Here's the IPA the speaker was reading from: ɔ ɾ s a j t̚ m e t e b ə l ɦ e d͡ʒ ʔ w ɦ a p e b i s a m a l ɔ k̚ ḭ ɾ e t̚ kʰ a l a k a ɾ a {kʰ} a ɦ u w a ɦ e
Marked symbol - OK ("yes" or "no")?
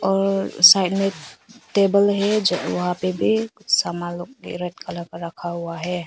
yes